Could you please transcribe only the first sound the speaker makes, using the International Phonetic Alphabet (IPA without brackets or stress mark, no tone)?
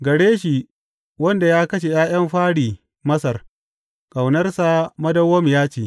ɡ